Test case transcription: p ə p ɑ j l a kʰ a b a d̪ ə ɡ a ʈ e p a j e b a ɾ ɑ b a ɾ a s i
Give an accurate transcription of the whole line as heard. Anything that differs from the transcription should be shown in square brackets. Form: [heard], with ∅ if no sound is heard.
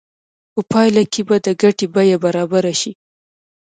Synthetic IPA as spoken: p ə p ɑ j l a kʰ [e] b a d̪ ə ɡ a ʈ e [b] a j [a] b a ɾ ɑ b a ɾ a [ʃ] i